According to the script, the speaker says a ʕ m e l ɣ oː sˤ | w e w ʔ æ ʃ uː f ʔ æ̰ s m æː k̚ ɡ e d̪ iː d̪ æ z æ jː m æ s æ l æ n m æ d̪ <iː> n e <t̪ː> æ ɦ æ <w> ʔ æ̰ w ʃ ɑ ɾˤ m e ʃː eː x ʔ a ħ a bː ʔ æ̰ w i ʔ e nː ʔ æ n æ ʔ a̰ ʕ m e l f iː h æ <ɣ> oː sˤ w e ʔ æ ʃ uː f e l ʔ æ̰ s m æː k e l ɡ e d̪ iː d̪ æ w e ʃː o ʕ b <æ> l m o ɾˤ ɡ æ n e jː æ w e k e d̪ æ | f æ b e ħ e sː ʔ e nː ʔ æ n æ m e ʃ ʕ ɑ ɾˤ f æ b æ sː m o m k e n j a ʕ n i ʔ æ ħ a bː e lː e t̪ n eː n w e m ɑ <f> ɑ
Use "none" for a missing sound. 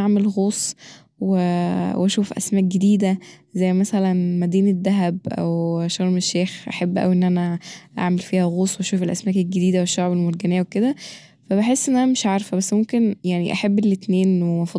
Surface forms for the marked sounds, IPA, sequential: iː, d̪ː, b, ɣ, e, f

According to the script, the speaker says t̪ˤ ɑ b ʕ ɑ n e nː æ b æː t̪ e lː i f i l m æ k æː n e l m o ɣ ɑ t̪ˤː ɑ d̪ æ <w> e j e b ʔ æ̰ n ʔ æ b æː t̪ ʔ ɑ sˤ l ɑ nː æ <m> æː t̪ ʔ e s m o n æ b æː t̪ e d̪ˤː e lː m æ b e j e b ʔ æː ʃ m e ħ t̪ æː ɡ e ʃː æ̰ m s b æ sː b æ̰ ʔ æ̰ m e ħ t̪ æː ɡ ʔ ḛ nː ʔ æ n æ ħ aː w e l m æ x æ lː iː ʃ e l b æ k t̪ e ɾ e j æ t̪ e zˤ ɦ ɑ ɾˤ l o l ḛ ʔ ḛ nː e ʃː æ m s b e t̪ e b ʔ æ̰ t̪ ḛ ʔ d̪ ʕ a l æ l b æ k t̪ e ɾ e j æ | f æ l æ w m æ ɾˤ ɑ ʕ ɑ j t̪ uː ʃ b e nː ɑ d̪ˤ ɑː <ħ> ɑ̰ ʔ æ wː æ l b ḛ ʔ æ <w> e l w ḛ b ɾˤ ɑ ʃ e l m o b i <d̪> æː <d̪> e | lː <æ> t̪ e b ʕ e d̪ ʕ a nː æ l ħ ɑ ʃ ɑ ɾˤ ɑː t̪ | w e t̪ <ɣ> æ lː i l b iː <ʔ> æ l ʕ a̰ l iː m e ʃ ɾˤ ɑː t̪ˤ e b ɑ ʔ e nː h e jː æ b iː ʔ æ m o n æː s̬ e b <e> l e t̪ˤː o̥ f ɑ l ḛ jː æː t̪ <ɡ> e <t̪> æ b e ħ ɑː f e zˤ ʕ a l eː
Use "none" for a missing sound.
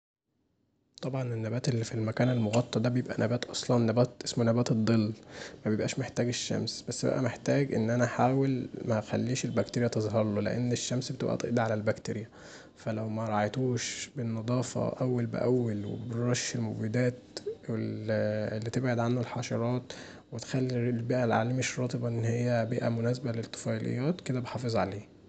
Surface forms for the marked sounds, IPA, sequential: b, b, f, wː, d̪, t̪, i, x, ʔ, æ, k, d̪

